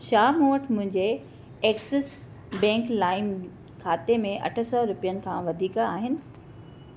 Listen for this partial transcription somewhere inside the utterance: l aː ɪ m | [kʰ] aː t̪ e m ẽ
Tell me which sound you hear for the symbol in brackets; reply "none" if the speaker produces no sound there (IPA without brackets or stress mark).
kʰ